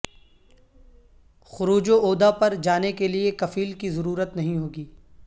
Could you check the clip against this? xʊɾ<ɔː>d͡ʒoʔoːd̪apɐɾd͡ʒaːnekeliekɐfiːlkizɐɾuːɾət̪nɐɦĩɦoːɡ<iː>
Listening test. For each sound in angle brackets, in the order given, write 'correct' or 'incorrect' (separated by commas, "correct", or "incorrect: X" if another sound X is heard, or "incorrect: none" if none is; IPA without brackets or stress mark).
incorrect: uː, correct